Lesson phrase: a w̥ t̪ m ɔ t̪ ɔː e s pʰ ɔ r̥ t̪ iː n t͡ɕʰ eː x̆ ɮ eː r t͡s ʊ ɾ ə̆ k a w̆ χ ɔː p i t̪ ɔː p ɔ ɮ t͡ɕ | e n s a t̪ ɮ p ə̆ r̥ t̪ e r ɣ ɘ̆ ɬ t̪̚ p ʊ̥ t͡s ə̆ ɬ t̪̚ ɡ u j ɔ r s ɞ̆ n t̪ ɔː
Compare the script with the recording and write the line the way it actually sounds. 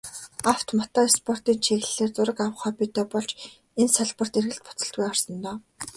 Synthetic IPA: a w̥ t̪ m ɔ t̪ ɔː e s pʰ ɔ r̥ t̪ iː n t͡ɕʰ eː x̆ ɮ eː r t͡s ʊ ɾ ə̆ k a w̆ χ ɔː p i t̪ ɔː p ɔ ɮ t͡ɕ | e n s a ɮ p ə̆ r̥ t̪ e r ɣ ɘ̆ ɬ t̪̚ p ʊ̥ t͡s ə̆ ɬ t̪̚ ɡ u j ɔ r s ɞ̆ n t̪ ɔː

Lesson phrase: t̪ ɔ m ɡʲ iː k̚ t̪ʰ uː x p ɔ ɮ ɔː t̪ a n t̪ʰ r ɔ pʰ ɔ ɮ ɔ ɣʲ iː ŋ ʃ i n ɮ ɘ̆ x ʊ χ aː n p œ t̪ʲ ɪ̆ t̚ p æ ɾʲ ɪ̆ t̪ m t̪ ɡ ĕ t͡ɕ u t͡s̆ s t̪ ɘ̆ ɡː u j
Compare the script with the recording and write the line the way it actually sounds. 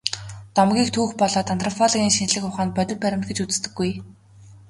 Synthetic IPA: t̪ ɔ m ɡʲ iː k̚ t̪ʰ uː x p ɔ ɮ ɔː t̪ a n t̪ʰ r ɔ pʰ ɔ ɮ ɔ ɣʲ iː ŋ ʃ i n ɮ ɘ̆ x ʊ χ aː n p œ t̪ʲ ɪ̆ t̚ p æ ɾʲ ɪ̆ m t̪ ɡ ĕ t͡ɕ u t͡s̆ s t̪ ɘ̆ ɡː u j

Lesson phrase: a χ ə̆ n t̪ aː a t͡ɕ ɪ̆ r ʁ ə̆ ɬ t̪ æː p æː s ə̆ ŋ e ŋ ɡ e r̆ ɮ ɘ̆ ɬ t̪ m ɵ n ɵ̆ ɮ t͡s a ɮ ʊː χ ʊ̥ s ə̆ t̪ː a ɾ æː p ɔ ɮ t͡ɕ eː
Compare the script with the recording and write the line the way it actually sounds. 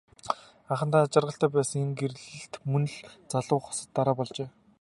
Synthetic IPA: a χ ə̆ n t̪ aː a t͡ɕ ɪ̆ r ʁ ə̆ ɬ t̪ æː p æː s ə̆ ŋ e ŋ ɡ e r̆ ɮ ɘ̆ ɬ t̪ m ɵ n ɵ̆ ɮ t͡s a ɮ ʊː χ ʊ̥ s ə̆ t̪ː a ɾ aː p ɔ ɮ t͡ɕ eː

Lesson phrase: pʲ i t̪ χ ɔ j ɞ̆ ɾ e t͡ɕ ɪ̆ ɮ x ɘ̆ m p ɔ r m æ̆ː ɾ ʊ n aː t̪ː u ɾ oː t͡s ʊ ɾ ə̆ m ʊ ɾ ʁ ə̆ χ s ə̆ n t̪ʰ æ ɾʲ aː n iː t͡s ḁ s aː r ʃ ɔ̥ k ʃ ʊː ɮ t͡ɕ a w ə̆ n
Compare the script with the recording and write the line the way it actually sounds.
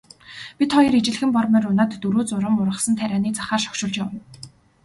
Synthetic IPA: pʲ i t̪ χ ɔ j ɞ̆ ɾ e t͡ɕ ɪ̆ ɮ x ɘ̆ m p ɔ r m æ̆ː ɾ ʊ n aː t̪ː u ɾ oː t͡s ʊ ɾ ə̆ m ʊ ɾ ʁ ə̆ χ s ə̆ n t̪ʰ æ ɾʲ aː n iː t͡s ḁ χ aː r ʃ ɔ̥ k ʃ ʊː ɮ t͡ɕ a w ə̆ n

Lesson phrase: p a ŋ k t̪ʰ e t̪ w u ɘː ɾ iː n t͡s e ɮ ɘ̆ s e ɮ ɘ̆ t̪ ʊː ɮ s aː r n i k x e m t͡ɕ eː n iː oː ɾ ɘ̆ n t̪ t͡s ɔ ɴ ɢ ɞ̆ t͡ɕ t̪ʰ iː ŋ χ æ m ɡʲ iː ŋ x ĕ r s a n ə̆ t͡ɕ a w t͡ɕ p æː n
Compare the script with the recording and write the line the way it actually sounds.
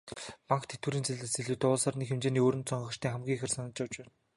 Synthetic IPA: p a ŋ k t̪ʰ e t̪ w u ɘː ɾ iː n t͡s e ɮ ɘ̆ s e ɮ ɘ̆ t̪ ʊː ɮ s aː r n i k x e m t͡ɕ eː n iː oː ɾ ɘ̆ n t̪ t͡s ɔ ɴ ɢ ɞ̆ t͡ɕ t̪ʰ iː ŋ χ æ m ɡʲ iː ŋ x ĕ r s a n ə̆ t͡ɕ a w t͡ɕ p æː n

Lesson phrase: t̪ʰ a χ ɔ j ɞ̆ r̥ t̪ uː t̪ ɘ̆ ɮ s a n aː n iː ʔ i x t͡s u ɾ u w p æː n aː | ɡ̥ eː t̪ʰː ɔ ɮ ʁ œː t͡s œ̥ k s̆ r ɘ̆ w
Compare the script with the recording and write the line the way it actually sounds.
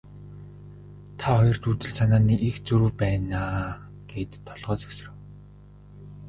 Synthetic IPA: t̪ʰ a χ ɔ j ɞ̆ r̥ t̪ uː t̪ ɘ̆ ɮ s a n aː n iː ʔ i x t͡s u ɾ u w p æː n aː | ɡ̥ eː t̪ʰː ɔ ɮ ʁ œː t͡s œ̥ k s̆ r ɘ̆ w

